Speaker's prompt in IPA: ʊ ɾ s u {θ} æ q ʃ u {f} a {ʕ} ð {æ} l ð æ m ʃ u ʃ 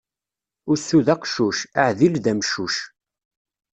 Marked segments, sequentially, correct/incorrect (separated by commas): incorrect, incorrect, correct, incorrect